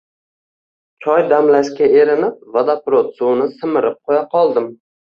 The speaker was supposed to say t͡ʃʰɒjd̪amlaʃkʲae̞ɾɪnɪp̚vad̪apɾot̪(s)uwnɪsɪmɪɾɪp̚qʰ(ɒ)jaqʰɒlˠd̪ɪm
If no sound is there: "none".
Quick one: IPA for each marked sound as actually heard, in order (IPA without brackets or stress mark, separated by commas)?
s, o